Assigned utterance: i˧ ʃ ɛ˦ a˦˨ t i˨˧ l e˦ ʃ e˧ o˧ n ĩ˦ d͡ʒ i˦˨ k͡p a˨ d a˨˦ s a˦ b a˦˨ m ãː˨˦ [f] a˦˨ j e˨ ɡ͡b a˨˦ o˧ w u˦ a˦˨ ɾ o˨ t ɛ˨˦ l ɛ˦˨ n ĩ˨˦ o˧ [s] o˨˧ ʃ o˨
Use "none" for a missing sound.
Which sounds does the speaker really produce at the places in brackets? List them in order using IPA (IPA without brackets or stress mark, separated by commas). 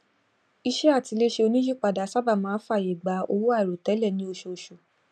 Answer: f, ʃ